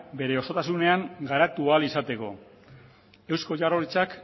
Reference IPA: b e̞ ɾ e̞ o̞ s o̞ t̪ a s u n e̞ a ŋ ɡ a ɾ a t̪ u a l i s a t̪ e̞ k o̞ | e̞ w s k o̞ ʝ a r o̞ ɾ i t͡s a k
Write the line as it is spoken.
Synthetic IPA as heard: b e̞ ɾ e̞ o̞ s o̞ t̪ a s u n e̞ a ŋ ɡ a ɾ a t̪ u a l i s a t̪ e̞ k o̞ | e̞ w s k o̞ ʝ a r o̞ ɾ i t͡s a k